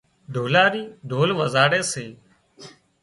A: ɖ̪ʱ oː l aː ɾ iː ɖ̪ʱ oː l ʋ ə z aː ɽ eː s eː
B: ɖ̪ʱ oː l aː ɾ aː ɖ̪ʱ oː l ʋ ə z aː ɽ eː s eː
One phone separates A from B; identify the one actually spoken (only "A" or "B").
A